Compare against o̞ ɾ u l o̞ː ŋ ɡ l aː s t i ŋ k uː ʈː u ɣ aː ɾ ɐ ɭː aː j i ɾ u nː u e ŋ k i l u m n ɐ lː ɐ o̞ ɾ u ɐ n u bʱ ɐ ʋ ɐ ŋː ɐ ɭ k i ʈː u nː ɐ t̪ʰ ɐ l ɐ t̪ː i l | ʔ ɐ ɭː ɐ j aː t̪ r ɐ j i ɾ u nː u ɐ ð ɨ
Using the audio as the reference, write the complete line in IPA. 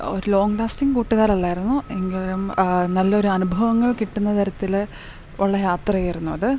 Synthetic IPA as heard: o̞ ɾ u l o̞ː ŋ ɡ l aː s t i ŋ k uː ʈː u ɣ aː ɾ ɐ ɭː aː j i ɾ u nː u e ŋ ɡ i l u m n ɐ lː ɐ o̞ ɾ u ɐ n u bʱ ɐ ʋ ɐ ŋː ɐ ɭ k i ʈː u nː ɐ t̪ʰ ɐ ɾ ɐ t̪ː i l | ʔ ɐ ɭː ɐ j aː t̪ r ɐ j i ɾ u nː u ɐ ð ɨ